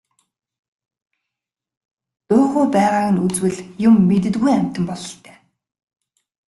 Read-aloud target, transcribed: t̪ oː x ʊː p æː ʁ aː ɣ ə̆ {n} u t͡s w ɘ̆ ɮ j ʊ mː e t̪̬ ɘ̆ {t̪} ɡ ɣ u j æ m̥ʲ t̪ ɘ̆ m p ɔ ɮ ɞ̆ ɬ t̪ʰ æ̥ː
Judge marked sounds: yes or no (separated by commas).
yes, yes